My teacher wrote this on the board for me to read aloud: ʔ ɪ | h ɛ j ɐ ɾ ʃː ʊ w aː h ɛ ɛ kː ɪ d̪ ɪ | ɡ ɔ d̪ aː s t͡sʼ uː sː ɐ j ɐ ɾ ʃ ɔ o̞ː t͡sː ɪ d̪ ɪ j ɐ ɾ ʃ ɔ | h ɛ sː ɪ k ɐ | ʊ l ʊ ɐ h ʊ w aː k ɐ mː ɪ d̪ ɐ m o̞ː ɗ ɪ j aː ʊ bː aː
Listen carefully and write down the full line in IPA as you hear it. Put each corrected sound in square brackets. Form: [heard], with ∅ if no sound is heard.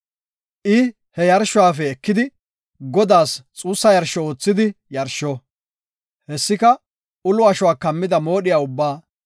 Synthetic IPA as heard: ʔ ɪ | h ɛ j ɐ ɾ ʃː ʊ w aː [f] ɛ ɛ kː ɪ d̪ ɪ | ɡ ɔ d̪ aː s t͡sʼ uː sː ɐ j ɐ ɾ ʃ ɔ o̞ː t͡sː ɪ d̪ ɪ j ɐ ɾ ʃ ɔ | h ɛ sː ɪ k ɐ | ʊ l ʊ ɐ [ʃ] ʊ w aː k ɐ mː ɪ d̪ ɐ m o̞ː ɗ ɪ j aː ʊ bː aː